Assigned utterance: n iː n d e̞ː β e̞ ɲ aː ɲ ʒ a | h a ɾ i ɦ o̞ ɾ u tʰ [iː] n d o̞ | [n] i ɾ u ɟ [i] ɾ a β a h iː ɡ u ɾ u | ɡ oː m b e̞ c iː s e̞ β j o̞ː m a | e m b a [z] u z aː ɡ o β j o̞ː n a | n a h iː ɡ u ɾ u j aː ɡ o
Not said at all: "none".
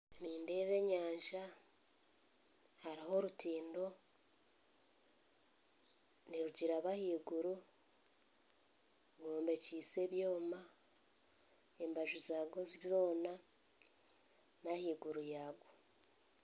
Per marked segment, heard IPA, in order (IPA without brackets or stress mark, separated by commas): iː, n, i, ʒ